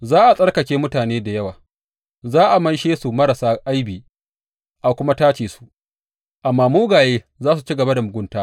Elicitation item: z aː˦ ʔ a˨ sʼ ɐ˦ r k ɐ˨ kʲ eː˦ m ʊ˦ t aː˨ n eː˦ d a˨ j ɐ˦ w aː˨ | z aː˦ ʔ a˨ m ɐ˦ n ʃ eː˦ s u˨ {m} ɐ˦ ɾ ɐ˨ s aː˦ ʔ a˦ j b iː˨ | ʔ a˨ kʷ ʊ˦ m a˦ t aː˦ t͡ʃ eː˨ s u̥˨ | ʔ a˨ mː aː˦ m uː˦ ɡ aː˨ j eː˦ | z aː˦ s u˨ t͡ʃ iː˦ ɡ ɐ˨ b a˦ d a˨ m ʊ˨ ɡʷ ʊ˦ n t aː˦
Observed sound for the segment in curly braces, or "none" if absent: m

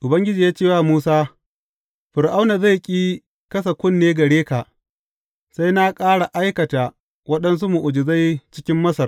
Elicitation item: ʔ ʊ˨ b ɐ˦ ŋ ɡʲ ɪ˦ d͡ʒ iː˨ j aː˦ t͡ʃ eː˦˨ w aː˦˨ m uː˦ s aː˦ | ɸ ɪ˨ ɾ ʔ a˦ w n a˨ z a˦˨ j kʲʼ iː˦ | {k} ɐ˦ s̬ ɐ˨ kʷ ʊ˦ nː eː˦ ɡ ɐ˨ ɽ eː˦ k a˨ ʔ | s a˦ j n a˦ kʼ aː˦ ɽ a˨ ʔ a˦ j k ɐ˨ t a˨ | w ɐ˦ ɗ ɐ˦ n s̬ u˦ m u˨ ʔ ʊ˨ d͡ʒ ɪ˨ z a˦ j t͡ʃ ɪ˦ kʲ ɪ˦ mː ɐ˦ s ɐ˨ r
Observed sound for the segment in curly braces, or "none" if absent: k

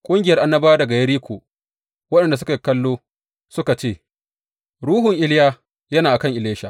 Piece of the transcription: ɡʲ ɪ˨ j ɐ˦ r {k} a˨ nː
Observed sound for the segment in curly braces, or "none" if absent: ʔ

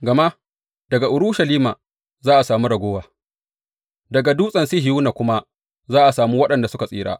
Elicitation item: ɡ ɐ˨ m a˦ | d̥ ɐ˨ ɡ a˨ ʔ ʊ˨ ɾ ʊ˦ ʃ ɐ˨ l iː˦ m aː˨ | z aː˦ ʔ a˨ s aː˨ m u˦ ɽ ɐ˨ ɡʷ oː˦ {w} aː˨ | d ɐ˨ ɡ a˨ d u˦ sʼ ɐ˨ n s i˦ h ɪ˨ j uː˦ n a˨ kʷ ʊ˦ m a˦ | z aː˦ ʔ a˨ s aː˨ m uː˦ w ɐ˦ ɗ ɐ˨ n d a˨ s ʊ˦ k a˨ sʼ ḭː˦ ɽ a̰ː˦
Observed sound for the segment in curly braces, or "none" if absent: w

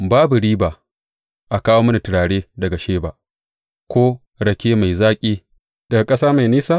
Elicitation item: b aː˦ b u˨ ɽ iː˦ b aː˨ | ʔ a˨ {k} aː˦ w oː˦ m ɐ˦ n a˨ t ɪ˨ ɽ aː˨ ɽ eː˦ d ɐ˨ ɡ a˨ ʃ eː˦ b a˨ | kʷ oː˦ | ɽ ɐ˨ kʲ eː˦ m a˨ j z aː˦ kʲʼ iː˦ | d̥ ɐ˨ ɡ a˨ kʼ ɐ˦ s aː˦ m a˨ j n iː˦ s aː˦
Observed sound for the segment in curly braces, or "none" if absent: k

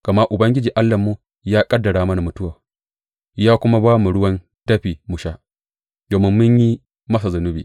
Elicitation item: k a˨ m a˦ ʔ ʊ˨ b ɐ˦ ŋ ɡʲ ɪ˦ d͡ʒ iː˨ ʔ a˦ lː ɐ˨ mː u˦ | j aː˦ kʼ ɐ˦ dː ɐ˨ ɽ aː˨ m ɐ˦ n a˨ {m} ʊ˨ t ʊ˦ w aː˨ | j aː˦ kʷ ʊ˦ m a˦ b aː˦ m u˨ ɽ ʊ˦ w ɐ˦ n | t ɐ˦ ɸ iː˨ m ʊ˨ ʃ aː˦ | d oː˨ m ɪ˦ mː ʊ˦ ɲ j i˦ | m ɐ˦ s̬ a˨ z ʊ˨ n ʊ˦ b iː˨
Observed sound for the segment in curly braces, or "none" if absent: m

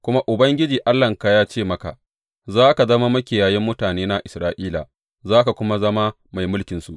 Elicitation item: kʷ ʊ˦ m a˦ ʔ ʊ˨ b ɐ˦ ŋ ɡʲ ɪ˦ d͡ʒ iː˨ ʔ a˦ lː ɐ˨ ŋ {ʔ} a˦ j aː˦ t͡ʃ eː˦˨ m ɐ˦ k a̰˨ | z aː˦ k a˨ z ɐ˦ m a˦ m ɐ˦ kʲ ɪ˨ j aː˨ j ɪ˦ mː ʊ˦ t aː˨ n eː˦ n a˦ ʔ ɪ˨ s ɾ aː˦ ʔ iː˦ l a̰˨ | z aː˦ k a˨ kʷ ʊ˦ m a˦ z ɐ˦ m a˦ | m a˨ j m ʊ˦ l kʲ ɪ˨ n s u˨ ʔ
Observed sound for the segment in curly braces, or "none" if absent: k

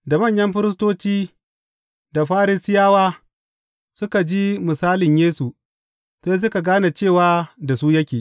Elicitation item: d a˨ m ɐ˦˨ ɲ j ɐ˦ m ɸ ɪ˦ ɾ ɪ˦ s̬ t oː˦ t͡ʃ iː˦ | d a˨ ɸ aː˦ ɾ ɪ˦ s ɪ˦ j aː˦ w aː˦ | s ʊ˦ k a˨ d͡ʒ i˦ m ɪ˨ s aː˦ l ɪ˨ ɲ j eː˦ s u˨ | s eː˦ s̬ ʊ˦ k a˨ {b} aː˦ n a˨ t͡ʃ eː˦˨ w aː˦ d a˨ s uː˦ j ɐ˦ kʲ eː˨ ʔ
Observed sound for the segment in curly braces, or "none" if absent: ɡ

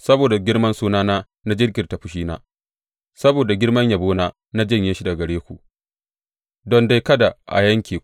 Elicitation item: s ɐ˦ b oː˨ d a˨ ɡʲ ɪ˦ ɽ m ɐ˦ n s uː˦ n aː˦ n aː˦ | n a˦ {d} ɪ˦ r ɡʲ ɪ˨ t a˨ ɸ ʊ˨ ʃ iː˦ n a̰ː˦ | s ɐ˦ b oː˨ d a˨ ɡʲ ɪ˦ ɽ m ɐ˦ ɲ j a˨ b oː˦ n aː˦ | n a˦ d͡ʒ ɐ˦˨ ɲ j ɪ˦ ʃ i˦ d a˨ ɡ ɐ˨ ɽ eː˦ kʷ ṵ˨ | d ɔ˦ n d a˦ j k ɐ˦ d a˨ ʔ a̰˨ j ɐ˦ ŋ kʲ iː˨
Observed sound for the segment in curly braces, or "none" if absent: d͡ʒ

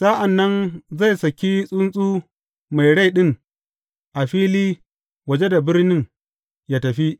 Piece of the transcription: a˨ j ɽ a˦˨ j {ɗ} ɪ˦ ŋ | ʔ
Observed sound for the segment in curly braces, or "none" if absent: ɗ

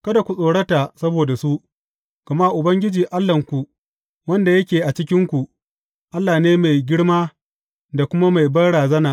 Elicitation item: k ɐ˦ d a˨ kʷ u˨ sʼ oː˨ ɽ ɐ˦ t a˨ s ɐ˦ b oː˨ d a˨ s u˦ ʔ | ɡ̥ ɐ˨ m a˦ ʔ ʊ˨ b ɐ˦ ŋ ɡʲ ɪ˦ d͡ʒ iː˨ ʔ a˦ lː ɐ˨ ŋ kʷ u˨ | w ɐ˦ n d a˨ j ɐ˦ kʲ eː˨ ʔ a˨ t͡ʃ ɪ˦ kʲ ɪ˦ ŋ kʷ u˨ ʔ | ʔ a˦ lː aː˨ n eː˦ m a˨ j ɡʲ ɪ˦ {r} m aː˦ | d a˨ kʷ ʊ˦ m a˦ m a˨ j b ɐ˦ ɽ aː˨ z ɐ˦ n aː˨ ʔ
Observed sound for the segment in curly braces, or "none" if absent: ɽ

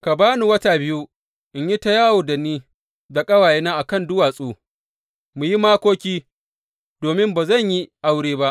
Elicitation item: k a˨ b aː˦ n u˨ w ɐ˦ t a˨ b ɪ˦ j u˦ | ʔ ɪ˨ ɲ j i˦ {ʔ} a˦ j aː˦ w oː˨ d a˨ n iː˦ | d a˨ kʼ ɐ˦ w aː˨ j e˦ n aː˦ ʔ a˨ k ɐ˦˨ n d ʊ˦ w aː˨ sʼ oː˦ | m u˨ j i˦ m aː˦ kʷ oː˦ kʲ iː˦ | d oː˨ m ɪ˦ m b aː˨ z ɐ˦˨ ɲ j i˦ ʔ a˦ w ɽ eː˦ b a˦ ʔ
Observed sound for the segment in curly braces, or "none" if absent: t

